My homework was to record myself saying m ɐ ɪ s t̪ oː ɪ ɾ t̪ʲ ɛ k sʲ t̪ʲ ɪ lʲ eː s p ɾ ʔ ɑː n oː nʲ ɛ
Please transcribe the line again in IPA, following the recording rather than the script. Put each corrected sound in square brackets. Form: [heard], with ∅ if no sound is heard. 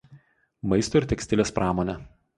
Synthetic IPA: m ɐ ɪ s t̪ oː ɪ ɾ t̪ʲ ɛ k sʲ t̪ʲ ɪ lʲ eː s p ɾ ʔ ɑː [m] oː nʲ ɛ

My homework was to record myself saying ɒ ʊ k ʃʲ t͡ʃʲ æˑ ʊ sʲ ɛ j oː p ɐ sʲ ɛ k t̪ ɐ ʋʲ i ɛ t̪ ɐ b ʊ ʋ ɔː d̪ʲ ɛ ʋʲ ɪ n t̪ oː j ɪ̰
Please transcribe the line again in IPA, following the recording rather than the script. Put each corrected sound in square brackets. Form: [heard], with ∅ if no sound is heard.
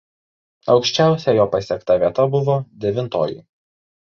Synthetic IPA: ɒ ʊ k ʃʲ t͡ʃʲ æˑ ʊ sʲ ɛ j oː p ɐ sʲ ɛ k t̪ ɐ ʋʲ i ɛ t̪ ɐ b ʊ ʋ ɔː d̪ʲ ɛ ʋʲ ɪ n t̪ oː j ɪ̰

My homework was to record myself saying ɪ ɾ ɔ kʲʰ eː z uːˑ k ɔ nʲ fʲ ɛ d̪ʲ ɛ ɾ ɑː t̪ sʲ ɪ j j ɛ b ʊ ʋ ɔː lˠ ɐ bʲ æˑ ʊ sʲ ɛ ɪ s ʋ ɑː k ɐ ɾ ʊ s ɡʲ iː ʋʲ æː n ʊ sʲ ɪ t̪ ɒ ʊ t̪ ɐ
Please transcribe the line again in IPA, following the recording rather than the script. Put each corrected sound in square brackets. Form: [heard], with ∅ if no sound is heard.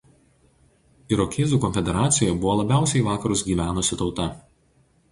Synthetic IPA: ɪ ɾ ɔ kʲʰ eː z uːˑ k ɔ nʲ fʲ ɛ d̪ʲ ɛ ɾ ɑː t̪ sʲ ɪ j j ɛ b ʊ ʋ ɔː lˠ ɐ bʲ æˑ ʊ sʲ ɛ ɪ [∅] ʋ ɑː k ɐ ɾ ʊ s ɡʲ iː ʋʲ æː n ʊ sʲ ɪ t̪ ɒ ʊ t̪ ɐ

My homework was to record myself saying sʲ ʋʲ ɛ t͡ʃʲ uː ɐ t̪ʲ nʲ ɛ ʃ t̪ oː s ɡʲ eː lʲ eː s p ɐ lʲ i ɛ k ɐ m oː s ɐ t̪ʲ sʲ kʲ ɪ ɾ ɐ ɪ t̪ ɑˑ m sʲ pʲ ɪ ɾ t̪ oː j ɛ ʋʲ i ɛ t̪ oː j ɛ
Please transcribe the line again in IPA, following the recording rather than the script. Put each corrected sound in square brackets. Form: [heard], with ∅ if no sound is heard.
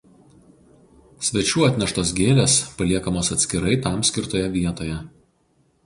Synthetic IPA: sʲ ʋʲ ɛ t͡ʃʲ uː ɐ t̪ʲ nʲ ɛ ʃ t̪ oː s ɡʲ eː lʲ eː s p ɐ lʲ i ɛ k ɐ m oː s ɐ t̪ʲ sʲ kʲ ɪ ɾ ɐ ɪ t̪ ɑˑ m sʲ [kʲ] ɪ ɾ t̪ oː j ɛ ʋʲ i ɛ t̪ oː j ɛ

